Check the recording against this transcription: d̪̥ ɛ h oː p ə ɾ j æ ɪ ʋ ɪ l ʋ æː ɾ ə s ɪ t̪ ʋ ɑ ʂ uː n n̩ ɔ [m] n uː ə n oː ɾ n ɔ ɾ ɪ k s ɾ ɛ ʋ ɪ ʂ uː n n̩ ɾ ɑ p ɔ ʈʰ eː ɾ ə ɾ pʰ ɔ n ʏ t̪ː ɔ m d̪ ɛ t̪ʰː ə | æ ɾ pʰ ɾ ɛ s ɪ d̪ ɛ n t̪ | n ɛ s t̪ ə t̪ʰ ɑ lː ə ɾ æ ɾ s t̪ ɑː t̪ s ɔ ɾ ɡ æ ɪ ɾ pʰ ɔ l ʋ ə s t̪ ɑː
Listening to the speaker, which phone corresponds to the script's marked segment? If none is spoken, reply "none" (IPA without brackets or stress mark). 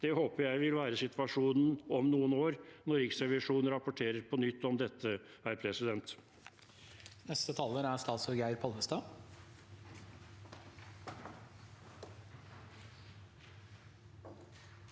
m